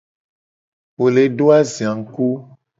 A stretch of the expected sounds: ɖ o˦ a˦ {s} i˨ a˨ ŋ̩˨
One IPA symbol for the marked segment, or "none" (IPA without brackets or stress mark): z